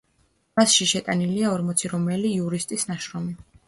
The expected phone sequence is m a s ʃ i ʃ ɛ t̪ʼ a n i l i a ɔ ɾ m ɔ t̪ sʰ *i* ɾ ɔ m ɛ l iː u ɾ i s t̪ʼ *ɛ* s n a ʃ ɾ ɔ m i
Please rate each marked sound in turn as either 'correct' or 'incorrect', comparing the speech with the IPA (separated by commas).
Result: correct, incorrect